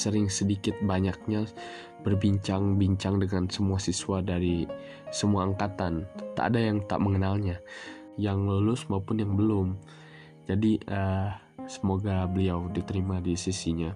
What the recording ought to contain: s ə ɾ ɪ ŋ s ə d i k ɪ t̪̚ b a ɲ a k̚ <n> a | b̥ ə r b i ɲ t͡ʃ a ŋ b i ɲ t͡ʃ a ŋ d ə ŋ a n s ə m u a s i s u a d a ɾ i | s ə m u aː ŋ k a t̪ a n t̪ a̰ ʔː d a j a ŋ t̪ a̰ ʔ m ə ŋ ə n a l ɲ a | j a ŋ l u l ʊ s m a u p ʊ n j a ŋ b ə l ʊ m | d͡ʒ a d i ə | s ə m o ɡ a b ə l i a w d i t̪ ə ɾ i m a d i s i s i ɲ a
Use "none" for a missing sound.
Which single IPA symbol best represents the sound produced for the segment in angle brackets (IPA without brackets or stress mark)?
ɲ